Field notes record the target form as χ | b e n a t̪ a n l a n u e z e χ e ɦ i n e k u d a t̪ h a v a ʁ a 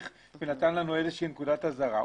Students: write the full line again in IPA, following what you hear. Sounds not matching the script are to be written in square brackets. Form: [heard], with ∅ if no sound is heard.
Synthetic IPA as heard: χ | [v] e n a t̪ a n l a n u e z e [ʃ] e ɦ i n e k u d a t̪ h a [z] a ʁ a

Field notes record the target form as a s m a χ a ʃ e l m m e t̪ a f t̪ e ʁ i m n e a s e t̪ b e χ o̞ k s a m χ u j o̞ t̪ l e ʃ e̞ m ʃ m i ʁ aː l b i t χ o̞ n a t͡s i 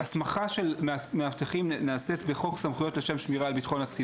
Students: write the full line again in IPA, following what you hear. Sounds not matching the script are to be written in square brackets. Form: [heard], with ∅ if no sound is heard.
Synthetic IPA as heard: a s m a χ a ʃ e l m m e [∅] a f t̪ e [χ] i m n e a s e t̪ b e χ o̞ k s a m χ u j o̞ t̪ l e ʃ e̞ m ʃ m i ʁ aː l b i t χ o̞ n a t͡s i

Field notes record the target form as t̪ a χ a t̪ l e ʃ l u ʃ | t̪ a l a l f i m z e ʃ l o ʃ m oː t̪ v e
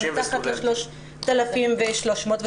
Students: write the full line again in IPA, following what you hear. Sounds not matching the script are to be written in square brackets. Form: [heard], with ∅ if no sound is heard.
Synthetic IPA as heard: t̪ a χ a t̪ l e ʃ l [o] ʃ | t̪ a l a [∅] f i m [v] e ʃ l o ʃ m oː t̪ v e

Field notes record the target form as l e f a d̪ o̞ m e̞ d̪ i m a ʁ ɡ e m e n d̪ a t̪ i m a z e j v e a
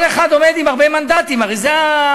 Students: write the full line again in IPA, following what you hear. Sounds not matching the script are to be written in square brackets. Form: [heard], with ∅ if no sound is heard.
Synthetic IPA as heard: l e [χ] a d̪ o̞ m e̞ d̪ i m a ʁ [b] e m [a] n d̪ a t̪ i m a [ʁ] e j [z] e a

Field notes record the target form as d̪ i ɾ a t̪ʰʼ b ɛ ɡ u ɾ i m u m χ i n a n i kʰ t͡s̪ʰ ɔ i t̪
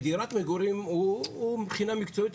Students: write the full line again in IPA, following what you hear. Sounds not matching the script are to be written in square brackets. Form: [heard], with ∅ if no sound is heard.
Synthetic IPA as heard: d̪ i ɾ a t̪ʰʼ [m] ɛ ɡ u ɾ i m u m χ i n a [m] i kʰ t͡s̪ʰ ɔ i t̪

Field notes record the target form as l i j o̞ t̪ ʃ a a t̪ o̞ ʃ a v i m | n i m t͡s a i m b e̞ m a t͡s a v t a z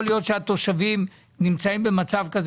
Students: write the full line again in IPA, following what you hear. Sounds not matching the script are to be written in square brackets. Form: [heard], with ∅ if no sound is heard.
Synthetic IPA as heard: l i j o̞ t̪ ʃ [e] a t̪ o̞ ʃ a v i m | n i m t͡s a i m b e̞ m a t͡s a v [k] a z

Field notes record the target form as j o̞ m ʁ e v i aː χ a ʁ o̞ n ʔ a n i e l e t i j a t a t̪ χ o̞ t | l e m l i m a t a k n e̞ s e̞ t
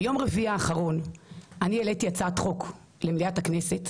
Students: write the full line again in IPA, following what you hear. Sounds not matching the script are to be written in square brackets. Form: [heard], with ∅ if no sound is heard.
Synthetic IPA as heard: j o̞ m ʁ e v i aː χ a ʁ o̞ n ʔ a n i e l e t i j a [t͡s] a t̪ χ o̞ [k] | l e m l i [∅] a t a k n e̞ s e̞ t

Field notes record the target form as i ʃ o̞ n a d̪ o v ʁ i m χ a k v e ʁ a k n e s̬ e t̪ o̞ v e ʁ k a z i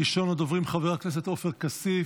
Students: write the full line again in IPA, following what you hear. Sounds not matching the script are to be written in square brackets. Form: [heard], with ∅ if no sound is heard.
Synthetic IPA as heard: i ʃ o̞ n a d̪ o v ʁ i m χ a [∅] v e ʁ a k n e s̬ e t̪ o̞ [f] e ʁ k a [s] i

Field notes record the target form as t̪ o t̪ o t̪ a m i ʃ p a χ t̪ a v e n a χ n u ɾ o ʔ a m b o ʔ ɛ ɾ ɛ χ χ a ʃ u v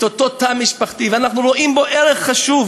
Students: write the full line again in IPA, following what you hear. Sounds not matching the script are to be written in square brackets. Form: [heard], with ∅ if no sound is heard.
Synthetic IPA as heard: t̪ o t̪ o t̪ a m i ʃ p a χ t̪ [i] v [a] n a χ n u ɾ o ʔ [i] m b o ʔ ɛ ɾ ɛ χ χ a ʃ u v

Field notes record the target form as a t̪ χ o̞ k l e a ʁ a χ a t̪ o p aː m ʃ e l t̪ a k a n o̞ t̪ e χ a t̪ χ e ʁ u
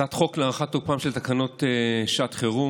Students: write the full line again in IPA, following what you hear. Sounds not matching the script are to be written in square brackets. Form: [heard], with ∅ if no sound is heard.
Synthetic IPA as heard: a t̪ χ o̞ k l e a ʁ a χ a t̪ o p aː m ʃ e l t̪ a k a n o̞ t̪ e [ʃ] a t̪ χ e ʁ u

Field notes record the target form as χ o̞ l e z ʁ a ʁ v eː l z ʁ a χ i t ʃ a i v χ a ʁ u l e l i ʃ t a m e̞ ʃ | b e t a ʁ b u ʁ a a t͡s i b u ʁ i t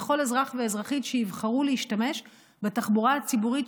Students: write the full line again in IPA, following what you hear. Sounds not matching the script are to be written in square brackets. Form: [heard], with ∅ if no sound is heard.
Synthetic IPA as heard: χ o̞ l e z ʁ a [χ] v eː [∅] z ʁ a χ i t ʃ [e] i v χ a ʁ u l e [∅] i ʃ t a m e̞ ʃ | b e t a [χ] b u ʁ a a t͡s i b u ʁ i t

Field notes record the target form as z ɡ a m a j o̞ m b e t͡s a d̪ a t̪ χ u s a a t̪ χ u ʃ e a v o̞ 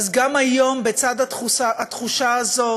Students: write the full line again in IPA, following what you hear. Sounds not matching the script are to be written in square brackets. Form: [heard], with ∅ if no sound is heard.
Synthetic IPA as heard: z ɡ a m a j o̞ m b e t͡s a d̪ a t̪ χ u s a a t̪ χ u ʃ [a] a [z] o̞

